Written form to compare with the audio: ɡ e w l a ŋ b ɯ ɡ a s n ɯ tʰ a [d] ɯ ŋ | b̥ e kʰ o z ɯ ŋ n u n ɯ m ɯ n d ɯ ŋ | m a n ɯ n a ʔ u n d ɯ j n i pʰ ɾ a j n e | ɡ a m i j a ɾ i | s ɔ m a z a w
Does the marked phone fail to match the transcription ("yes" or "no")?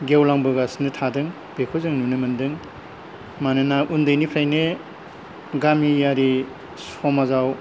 no